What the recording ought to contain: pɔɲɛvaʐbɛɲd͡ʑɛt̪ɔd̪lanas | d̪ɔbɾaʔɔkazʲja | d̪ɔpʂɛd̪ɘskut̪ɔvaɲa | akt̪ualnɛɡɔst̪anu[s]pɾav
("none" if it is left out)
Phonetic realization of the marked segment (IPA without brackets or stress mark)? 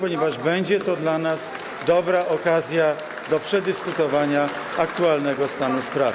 s